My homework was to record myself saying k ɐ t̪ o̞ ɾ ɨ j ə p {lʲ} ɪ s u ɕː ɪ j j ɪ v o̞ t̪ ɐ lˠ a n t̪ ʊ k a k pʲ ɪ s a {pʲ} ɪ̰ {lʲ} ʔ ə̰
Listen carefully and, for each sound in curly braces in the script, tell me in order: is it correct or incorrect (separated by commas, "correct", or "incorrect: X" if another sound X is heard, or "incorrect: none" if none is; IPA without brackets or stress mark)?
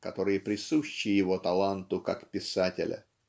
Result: incorrect: ɾʲ, incorrect: tʲ, correct